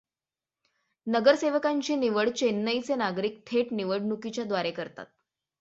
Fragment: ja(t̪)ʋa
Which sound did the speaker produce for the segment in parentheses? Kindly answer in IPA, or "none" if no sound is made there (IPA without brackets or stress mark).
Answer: d̪